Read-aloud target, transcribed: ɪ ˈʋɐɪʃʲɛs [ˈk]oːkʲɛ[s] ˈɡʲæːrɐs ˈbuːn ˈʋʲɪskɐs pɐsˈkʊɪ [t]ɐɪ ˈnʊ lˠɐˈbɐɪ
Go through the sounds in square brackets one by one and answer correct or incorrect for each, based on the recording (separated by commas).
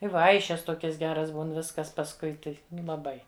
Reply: incorrect, correct, correct